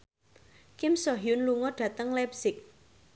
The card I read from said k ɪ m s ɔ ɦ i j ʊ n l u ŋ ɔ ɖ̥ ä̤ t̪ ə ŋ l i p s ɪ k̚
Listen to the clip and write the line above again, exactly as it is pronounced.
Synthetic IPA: k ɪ m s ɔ ɦ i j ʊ n l u ŋ ɔ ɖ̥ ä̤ t̪ ə ŋ l ɛ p s ɪ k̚

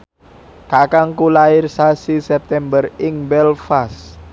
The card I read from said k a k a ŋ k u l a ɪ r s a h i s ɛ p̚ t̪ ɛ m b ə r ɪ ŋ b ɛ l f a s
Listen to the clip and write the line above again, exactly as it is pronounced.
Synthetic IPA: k a k a ŋ k u l a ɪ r s a s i s ɛ p̚ t̪ ɛ m b ə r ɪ ŋ b ɛ l f a s

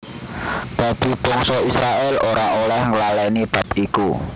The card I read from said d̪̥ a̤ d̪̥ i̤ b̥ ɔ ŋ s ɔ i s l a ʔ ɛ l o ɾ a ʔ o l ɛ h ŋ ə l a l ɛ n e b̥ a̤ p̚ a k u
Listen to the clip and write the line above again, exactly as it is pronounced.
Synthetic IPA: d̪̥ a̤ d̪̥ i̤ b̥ ɔ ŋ s ɔ i s ɾ a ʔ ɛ l o ɾ a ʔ o l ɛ h ŋ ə l a l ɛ n i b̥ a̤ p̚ i k u

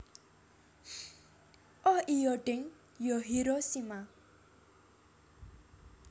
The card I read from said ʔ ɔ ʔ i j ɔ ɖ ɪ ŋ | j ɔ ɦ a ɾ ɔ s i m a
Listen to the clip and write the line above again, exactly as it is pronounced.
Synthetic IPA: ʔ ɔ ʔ i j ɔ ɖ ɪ ŋ | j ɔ ɦ i ɾ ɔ s i m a

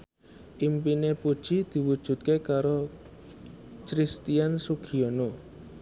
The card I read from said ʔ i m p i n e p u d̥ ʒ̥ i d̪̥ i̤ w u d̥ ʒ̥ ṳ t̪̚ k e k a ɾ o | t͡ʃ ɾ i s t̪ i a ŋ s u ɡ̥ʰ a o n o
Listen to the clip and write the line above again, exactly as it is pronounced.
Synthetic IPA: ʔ i m p i n e p u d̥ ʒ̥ i d̪̥ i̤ w u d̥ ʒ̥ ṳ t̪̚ k e k a ɾ o | t͡ʃ ɾ i s t̪ i a n s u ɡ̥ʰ i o n o

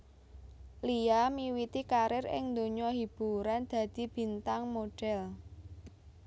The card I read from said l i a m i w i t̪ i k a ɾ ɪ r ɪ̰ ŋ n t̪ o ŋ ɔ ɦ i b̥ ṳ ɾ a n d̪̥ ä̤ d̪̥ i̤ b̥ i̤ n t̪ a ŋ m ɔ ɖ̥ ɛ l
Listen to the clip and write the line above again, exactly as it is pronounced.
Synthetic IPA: l i a m i w i t̪ i k a ɾ ɪ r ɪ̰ ŋ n d̪ o ɲ ɔ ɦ i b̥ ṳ ɾ a n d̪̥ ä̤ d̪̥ i̤ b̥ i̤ n t̪ a ŋ m o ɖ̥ ɛ l

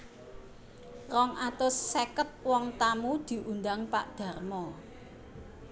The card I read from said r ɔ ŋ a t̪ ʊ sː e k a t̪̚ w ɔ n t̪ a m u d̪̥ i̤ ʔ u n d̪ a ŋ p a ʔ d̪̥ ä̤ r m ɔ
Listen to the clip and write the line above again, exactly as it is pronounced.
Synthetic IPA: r ɔ ŋ a t̪ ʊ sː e k ə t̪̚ w ɔ ŋ t̪ a m u d̪̥ i̤ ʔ u n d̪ a ŋ p a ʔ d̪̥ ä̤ r m ɔ

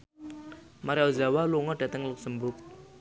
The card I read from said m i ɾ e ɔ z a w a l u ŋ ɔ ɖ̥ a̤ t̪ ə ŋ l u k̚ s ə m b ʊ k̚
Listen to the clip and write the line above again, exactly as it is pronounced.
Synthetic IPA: m a ɾ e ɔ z a w a l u ŋ ɔ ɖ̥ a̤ t̪ ə ŋ l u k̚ s ə m b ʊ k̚

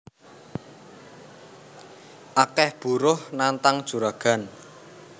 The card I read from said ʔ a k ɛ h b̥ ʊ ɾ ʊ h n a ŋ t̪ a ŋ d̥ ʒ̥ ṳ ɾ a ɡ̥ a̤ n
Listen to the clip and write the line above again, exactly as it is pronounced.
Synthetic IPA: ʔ a k ɛ h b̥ u ɾ ʊ h n a n t̪ a ŋ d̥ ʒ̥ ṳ ɾ a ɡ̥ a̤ n

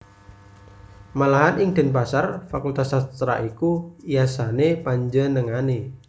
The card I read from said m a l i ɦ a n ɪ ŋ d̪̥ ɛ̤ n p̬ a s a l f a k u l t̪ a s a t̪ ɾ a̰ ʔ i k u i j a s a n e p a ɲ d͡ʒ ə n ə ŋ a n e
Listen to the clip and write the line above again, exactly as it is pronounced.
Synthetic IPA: m a l a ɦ a n ɪ ŋ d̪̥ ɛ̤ n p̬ a s a r f a k u l t̪ a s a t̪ ɾ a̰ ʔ i k u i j a s a n e p a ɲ d͡ʒ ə n ə ŋ a n e

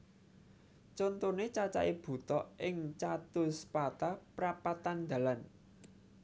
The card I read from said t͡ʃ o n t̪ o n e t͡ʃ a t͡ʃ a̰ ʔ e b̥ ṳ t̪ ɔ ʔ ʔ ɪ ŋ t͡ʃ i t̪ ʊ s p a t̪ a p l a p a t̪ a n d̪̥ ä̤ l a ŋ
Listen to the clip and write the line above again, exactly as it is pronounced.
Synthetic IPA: t͡ʃ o n t̪ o n e t͡ʃ a t͡ʃ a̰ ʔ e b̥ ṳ t̪ ɔ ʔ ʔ ɪ ŋ t͡ʃ a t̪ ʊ s p a t̪ a p ɾ a p a t̪ a n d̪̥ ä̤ l a n

